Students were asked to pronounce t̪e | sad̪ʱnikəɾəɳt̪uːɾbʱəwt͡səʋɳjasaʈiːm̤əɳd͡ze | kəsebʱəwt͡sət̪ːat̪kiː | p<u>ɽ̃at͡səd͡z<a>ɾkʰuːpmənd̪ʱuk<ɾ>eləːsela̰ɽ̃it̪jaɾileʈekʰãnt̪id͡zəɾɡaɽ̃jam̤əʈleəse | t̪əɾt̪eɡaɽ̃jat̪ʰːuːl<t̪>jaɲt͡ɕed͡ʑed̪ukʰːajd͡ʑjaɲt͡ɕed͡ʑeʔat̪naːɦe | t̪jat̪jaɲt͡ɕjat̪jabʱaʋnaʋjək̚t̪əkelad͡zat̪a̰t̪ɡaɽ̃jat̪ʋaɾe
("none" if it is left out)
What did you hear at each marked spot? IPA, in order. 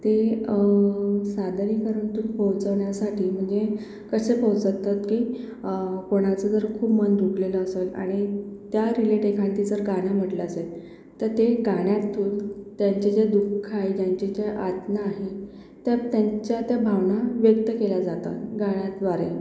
o, ə, l, t̪

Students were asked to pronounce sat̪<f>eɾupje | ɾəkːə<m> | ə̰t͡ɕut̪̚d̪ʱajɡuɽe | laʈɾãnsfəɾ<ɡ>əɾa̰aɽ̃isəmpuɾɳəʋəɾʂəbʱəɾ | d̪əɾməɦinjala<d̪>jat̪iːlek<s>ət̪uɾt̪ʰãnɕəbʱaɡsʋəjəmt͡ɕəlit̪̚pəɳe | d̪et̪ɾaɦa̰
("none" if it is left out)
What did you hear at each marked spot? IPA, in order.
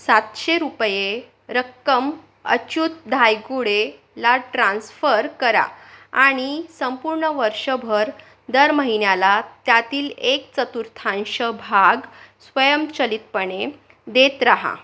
ɕ, m, k, t̪, t͡s

